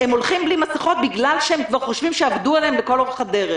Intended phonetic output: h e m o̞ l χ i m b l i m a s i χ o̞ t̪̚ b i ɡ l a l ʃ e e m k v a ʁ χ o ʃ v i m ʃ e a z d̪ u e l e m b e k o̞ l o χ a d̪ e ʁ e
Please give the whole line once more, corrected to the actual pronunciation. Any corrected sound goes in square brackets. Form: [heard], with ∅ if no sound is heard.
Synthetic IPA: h e m o̞ l χ i m b l i m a s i χ o̞ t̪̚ b i ɡ l a l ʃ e e m k v a ʁ χ o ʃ v i m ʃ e a [v] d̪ u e l e m b e k o̞ l o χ a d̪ e ʁ e